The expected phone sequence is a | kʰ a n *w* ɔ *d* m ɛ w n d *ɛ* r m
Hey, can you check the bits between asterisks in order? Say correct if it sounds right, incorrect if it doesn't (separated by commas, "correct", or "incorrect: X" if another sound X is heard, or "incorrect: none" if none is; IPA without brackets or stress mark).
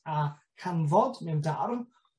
incorrect: v, correct, incorrect: a